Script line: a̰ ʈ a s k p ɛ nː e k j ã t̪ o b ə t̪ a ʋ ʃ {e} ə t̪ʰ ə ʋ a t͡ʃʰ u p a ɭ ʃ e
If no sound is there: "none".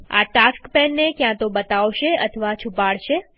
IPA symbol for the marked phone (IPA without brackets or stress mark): e